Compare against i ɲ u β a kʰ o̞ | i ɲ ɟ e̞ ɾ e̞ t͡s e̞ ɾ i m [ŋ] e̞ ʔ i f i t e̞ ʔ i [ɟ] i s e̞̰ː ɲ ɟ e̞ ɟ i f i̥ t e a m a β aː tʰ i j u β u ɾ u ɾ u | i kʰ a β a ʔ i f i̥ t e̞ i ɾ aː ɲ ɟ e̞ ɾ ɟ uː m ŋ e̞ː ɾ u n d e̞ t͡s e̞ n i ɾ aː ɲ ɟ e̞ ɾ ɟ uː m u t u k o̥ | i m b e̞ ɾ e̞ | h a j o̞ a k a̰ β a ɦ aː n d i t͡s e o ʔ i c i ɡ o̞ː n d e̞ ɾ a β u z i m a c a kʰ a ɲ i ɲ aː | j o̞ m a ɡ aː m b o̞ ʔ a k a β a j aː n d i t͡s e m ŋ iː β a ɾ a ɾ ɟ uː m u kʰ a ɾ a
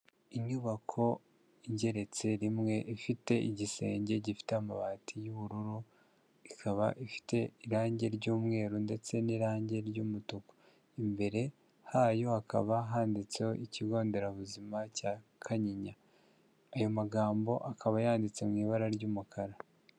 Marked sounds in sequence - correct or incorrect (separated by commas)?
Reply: correct, correct